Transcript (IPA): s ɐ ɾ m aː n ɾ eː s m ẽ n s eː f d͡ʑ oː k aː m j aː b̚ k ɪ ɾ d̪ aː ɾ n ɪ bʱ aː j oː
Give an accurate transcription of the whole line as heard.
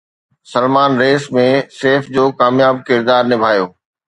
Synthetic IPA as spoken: s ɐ l m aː n ɾ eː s m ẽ s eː f d͡ʑ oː k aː m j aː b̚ k ɪ ɾ d̪ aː ɾ n ɪ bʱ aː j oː